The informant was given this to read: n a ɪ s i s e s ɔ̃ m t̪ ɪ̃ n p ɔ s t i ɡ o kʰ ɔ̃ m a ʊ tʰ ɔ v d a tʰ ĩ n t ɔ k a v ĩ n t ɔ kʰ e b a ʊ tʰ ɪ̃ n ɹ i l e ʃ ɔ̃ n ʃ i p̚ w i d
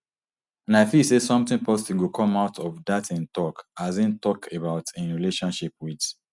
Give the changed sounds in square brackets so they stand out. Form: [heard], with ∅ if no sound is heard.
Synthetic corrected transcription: n a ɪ [f] i s e s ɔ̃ m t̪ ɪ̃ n p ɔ s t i ɡ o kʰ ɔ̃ m a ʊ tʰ ɔ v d a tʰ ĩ n t ɔ k a [z] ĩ n t ɔ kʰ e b a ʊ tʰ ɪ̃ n ɹ i l e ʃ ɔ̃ n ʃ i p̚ w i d